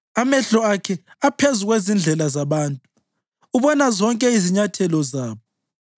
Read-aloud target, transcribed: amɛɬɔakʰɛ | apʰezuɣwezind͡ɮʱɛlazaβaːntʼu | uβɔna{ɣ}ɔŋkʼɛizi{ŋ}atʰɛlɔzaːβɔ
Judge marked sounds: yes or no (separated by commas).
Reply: no, no